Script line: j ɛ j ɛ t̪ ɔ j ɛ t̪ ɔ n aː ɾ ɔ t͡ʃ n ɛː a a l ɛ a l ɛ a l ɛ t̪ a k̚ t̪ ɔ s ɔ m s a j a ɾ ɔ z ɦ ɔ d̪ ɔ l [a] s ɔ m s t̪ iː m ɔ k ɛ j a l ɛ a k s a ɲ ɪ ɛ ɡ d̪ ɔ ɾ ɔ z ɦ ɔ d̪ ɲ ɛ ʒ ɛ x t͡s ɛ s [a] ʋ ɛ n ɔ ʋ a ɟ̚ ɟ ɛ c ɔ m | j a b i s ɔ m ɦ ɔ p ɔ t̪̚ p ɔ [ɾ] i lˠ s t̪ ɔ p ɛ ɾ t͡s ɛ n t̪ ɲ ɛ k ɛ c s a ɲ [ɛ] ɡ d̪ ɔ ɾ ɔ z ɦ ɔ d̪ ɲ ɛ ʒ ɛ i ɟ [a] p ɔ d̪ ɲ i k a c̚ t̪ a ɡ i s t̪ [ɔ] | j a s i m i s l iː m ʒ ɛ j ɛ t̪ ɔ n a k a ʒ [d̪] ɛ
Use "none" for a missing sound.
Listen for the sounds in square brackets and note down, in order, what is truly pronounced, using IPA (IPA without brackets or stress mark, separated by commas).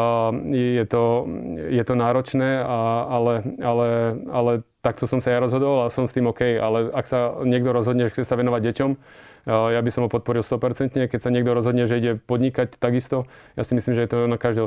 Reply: a, a, ɾ, ɛ, ɛ, ɔ, d̪